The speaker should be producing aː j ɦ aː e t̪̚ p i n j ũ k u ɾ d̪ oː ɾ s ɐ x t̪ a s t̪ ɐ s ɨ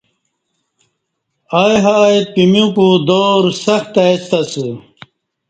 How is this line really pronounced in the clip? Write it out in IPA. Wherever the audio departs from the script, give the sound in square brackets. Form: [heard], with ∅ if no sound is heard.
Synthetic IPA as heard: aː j ɦ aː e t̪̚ p i [m] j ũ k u [∅] d̪ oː ɾ s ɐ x t̪ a s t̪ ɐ s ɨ